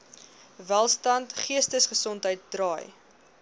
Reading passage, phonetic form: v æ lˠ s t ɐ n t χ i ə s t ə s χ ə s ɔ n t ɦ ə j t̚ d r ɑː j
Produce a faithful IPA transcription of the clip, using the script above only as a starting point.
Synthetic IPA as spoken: v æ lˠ s t ɐ n t χ i ə s t ə s χ ə s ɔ n t ɦ ə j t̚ d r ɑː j